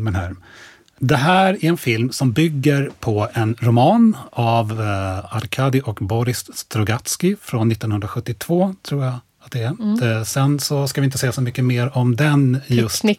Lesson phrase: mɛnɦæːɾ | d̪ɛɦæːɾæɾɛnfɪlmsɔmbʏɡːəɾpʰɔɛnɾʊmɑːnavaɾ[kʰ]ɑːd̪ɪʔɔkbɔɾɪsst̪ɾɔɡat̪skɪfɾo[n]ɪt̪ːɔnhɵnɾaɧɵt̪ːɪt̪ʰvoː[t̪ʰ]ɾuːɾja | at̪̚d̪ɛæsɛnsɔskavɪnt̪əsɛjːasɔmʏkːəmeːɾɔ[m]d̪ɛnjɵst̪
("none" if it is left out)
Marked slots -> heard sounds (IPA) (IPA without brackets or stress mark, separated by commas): kʰ, nː, t̪ʰ, m